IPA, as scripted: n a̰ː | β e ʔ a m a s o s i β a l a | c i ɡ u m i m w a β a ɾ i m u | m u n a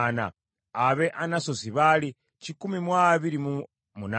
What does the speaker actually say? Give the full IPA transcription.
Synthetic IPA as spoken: n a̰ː | β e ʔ a n a s o s i β a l i | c i k u m i m w a β i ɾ i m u | m u n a